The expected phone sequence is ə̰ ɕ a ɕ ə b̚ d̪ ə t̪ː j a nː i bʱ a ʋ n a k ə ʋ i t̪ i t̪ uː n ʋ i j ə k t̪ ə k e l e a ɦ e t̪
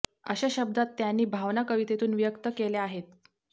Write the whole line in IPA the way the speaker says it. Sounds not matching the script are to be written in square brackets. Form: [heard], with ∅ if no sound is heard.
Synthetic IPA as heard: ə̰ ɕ a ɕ ə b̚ d̪ [a] t̪ː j a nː [iː] bʱ a ʋ n a k ə ʋ i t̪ [e] t̪ uː n ʋ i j ə k t̪ ə k e l e a ɦ e t̪